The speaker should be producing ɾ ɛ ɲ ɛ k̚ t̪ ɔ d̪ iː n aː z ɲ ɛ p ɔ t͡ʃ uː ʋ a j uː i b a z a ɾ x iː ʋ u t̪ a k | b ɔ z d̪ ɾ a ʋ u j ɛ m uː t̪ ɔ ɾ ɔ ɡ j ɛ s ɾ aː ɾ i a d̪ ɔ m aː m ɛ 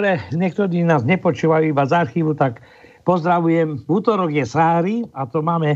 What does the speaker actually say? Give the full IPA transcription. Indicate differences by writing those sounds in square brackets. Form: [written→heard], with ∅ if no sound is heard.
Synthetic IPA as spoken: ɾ ɛ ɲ ɛ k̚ t̪ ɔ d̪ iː n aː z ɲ ɛ p ɔ t͡ʃ uː ʋ a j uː i b a z a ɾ x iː ʋ u t̪ a k | [b→p] ɔ z d̪ ɾ a ʋ u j ɛ m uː t̪ ɔ ɾ ɔ ɡ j ɛ s ɾ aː ɾ i a [d̪→t̪] ɔ m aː m ɛ